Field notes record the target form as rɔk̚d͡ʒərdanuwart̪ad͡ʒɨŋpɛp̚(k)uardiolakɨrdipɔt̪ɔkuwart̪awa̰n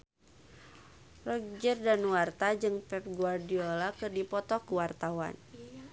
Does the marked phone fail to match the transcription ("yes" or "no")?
yes